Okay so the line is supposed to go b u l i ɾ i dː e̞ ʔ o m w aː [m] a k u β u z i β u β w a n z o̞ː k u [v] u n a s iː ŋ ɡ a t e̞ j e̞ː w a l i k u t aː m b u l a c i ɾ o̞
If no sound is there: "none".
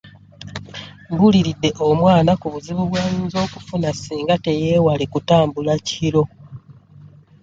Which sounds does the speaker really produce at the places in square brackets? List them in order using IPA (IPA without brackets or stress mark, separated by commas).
n, f